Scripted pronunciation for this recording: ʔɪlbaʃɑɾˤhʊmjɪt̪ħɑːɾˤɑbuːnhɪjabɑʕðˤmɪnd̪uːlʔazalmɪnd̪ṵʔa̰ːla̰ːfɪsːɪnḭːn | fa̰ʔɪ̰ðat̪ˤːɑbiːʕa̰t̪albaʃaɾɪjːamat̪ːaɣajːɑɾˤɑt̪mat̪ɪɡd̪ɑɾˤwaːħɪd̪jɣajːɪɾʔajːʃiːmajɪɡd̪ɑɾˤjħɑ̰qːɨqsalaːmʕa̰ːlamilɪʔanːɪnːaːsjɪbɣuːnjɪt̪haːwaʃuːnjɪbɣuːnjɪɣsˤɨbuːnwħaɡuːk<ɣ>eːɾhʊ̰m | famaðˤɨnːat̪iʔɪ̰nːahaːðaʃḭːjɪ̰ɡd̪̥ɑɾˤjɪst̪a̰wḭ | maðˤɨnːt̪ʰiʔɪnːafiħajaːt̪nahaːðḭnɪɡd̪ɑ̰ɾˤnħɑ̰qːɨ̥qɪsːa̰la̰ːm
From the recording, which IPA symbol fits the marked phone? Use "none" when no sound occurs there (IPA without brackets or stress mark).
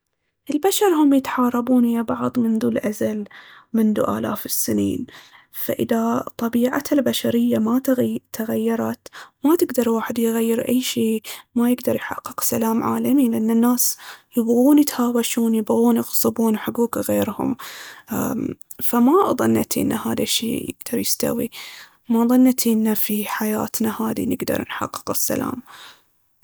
ɣ